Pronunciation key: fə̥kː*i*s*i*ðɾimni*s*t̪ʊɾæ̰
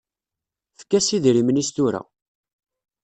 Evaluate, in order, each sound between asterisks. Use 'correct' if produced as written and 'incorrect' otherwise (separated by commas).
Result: incorrect, correct, correct